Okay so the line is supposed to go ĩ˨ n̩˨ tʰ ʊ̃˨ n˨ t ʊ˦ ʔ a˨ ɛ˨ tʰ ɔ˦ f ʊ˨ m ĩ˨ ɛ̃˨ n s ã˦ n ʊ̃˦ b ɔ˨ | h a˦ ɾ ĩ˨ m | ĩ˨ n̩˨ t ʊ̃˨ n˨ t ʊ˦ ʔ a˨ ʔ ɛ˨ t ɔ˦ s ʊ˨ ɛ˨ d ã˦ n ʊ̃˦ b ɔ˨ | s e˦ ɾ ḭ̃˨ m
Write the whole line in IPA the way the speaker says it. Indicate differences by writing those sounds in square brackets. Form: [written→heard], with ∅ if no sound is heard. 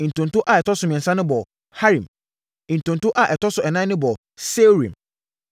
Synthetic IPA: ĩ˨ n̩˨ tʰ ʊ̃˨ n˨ t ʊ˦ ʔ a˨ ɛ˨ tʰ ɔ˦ [f→s] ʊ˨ m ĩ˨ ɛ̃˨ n s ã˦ n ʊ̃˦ b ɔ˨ | h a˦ ɾ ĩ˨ m | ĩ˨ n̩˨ t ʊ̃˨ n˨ t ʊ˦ ʔ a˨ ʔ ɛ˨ t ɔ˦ s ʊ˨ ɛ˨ [d→n] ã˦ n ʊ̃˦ b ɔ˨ | s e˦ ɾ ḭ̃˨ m

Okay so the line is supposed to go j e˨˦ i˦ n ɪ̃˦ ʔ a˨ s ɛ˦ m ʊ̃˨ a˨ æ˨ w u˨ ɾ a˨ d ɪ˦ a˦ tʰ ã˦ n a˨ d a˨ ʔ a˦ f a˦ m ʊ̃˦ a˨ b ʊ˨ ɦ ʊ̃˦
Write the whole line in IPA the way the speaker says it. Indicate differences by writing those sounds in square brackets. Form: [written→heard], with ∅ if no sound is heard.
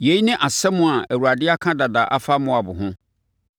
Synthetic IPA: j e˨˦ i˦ n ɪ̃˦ ʔ a˨ s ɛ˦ m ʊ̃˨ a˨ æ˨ w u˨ ɾ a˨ d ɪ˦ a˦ [tʰ→kʰ] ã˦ [n→d] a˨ d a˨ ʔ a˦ f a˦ m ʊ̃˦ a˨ b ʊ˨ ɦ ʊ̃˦

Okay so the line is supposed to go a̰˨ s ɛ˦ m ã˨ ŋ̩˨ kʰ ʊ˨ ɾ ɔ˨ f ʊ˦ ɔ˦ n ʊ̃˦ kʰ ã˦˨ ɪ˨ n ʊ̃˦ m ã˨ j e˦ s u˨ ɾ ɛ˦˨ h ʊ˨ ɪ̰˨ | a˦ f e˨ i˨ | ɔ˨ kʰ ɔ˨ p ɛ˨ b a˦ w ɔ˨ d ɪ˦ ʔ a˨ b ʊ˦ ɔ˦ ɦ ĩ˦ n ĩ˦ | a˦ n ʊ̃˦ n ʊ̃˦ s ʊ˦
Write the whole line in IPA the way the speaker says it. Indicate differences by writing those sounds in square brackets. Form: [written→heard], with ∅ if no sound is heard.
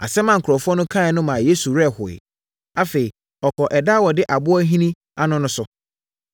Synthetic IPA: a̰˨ s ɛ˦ m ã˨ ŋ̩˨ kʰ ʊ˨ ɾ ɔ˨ f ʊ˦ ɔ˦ n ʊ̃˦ kʰ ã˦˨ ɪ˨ n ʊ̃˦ m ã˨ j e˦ s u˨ ɾ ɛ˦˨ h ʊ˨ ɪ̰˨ | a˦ f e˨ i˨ | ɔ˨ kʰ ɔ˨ [p→ʔ] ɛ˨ [b→d] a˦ w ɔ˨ d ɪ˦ ʔ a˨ b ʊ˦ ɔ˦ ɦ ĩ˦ n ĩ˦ | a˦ n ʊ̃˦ n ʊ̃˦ s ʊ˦

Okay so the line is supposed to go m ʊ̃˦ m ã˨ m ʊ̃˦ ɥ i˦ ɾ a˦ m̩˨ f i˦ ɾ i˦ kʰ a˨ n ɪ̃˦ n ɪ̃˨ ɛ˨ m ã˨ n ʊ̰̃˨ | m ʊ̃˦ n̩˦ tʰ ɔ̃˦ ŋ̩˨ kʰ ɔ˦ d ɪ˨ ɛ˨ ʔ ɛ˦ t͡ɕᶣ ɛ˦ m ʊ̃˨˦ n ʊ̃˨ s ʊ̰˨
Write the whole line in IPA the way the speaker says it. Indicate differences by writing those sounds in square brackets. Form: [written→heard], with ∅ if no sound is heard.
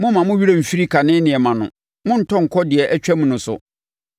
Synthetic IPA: m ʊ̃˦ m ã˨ m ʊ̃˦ ɥ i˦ ɾ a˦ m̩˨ f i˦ ɾ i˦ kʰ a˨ n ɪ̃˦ n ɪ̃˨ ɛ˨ m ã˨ n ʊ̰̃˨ | m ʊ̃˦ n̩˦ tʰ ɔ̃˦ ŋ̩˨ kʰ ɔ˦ d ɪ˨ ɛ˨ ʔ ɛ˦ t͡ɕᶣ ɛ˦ m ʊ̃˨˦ n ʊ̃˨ s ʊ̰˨

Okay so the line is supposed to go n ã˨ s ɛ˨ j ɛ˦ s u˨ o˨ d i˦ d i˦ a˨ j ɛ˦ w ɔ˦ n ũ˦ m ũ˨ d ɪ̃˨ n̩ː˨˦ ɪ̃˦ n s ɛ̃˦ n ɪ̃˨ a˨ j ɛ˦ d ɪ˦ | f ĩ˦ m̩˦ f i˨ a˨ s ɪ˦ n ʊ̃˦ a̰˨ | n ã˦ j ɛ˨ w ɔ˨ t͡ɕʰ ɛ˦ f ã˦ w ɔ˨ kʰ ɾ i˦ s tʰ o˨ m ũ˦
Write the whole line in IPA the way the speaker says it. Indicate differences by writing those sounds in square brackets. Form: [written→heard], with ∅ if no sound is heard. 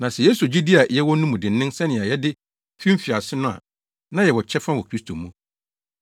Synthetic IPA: n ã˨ s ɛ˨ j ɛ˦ s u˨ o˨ [d→d͡ʑ] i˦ d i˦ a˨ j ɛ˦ w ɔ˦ n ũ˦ m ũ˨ d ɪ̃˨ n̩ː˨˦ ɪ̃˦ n s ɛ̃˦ n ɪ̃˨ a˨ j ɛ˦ d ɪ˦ | f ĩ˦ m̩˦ f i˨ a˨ s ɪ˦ n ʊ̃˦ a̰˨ | n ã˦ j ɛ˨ w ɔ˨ t͡ɕʰ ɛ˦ f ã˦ w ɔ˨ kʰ ɾ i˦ s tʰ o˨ m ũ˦

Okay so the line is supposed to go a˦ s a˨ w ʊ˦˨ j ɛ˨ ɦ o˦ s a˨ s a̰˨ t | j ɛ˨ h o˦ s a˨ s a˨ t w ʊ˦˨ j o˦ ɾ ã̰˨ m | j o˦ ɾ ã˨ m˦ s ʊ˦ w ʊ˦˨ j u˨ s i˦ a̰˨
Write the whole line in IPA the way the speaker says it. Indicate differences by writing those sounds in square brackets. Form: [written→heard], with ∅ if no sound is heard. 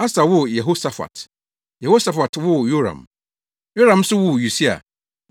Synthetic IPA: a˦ s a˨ w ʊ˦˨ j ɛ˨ ɦ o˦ s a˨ [s→f] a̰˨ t | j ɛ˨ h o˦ s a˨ [s→f] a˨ t w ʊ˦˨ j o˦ ɾ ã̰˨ m | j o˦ ɾ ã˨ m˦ s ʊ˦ w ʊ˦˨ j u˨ s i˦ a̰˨

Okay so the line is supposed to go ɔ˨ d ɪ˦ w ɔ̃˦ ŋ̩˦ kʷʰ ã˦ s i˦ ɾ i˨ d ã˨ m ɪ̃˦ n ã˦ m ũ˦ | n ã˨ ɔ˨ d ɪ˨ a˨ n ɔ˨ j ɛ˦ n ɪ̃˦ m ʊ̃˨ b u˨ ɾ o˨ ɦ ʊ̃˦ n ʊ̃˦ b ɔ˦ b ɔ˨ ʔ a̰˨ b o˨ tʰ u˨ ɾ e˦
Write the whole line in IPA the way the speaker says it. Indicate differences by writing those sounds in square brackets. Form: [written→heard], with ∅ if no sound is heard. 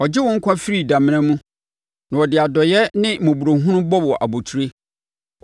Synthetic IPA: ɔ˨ [d→d͡ʑ] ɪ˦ w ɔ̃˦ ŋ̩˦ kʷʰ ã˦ [s→f] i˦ ɾ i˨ d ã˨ m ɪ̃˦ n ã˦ m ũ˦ | n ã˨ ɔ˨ d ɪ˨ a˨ [n→d] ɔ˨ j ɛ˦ n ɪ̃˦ m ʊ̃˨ b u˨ ɾ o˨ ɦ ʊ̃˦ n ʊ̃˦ b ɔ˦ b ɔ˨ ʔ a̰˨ b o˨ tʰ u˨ ɾ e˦

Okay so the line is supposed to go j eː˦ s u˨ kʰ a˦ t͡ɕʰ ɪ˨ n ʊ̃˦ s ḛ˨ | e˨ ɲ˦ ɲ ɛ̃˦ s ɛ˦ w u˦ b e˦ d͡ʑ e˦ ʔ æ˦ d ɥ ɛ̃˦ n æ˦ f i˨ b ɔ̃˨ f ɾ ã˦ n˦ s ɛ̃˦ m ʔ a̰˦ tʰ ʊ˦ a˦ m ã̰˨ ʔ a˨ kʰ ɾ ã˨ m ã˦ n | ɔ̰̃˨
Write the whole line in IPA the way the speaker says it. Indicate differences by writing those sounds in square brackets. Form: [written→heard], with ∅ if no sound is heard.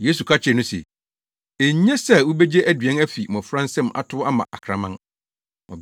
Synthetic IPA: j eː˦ s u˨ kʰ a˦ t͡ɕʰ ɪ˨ n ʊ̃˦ s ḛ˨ | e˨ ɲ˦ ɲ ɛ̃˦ s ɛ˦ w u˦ b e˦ d͡ʑ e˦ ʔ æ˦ d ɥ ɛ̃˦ n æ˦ f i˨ [b→m] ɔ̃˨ f ɾ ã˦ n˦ s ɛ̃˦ m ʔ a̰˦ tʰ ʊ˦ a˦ m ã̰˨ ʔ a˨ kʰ ɾ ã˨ m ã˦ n | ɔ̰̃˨

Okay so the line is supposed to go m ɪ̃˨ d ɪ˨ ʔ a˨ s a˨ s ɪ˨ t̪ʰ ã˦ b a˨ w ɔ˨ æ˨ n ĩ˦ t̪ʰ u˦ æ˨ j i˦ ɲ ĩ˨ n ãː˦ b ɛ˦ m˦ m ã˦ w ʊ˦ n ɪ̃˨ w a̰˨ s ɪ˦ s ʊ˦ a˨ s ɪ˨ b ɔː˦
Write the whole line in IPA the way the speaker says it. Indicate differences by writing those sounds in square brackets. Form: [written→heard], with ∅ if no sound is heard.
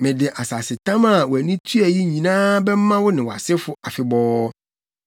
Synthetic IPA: m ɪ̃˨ d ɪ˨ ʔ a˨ s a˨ s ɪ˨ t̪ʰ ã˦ [b→m] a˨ w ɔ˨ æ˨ n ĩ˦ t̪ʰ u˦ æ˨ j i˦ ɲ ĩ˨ n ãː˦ b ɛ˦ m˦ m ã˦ w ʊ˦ n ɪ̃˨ w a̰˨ s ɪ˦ [s→f] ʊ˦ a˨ [s→f] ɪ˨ b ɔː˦

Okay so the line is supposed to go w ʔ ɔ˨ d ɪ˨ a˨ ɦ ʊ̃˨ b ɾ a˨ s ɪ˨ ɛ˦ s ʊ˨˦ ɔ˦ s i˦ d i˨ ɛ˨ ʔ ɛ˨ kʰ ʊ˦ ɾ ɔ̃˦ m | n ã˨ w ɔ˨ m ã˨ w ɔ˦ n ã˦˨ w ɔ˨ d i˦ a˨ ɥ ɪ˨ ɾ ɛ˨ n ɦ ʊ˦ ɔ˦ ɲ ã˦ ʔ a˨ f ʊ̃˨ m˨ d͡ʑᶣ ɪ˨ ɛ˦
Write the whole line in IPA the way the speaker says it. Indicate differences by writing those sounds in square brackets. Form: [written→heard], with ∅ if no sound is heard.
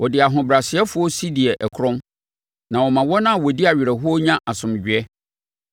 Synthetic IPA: w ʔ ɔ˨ d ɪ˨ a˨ ɦ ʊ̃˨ b ɾ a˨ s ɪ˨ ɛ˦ [s→f] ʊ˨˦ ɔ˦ s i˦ d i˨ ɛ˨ ʔ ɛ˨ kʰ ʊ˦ ɾ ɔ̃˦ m | n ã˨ w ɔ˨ m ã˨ w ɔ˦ n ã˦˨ w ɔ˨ d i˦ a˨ ɥ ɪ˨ ɾ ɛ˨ [n→∅] ɦ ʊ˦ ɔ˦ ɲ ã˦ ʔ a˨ [f→s] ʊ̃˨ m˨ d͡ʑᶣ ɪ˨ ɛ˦

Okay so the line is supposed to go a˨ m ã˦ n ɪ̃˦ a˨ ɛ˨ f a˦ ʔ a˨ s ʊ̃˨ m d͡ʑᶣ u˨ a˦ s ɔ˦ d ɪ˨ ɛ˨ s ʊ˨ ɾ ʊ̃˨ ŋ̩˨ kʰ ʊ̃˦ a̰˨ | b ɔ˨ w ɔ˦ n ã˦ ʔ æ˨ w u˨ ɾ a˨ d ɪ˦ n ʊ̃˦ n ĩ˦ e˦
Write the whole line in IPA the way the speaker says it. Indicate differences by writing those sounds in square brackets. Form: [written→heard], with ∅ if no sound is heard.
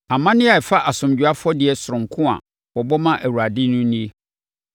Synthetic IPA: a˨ m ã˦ n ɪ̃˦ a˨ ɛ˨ f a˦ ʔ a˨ s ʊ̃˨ m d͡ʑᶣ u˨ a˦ [s→f] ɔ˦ d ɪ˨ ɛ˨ s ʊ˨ ɾ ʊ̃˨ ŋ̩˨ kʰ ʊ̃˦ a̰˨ | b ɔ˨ [w→b] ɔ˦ [n→m] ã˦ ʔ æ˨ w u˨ ɾ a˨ d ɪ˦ n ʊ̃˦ n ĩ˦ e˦

